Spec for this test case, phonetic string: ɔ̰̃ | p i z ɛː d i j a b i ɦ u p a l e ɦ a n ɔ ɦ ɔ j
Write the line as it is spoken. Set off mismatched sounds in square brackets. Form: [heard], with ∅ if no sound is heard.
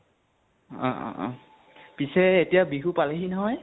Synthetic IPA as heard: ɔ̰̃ | p i [s] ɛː [t] i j a b i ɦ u p a l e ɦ [i] n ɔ ɦ ɔ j